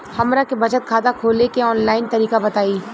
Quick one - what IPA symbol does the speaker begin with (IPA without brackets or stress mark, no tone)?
h